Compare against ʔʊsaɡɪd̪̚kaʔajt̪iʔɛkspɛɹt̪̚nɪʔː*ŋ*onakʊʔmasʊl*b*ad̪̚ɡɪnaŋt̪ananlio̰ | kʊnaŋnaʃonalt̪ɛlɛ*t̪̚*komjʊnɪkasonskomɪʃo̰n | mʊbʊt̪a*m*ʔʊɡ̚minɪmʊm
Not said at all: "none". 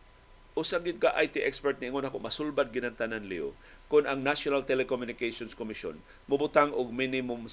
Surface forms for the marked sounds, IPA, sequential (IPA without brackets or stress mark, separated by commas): ŋ, b, none, ŋ